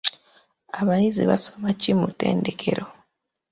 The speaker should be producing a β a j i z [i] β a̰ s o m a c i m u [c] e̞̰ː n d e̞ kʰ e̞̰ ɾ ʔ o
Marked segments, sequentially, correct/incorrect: correct, incorrect

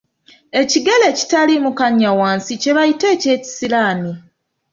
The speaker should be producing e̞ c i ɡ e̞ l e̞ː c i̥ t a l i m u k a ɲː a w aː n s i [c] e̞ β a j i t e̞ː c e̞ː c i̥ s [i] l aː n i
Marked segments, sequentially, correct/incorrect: correct, correct

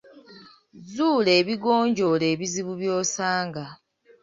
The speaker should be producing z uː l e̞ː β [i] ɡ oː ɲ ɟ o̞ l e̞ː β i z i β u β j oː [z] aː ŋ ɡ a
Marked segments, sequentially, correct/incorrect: correct, incorrect

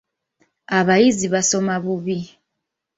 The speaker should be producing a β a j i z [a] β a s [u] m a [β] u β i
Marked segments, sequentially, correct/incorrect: incorrect, incorrect, correct

